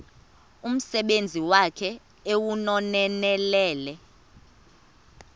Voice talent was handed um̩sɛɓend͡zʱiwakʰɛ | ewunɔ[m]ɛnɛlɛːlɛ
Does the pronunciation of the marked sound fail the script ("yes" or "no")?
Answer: yes